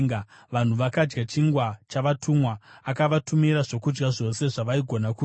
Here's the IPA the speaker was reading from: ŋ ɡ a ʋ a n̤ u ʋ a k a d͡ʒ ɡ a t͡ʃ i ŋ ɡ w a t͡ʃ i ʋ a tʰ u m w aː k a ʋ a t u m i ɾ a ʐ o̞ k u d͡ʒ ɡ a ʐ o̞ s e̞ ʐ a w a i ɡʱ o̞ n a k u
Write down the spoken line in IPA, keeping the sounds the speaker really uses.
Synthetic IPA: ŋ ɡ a ʋ a n̤ u ʋ a k a d͡ʒ ɡ a t͡ʃ i ŋ ɡ w a t͡ʃ a ʋ a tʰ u m w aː k a ʋ a t u m i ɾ a ʐ o̞ k u d͡ʒ ɡ a ʐ o̞ s e̞ ʐ a ʋ a i ɡʱ o̞ n a k u